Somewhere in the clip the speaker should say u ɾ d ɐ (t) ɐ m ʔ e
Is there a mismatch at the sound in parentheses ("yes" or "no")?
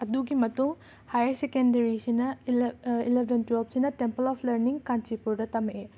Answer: no